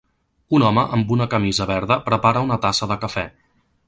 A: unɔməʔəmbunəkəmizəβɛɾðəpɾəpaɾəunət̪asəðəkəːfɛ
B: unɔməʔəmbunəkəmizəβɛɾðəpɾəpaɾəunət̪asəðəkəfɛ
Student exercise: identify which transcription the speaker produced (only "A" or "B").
B